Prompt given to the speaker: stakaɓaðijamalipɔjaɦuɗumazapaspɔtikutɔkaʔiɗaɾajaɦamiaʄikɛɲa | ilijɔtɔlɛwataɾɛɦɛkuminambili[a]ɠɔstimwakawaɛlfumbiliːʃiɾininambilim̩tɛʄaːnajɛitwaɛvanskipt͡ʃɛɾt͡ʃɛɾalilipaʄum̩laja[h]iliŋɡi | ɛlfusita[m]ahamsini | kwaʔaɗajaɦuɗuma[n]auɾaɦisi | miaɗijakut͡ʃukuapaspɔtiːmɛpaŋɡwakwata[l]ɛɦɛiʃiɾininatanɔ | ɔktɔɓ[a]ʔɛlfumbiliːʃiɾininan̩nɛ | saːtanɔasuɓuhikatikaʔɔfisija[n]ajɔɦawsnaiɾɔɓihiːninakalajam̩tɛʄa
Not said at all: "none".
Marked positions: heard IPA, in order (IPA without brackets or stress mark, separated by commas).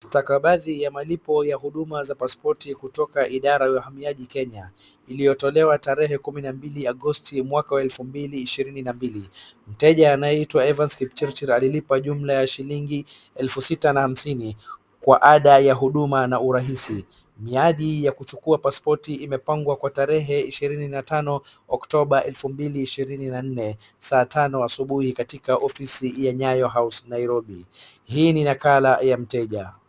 a, ʃ, n, n, ɾ, a, ɲ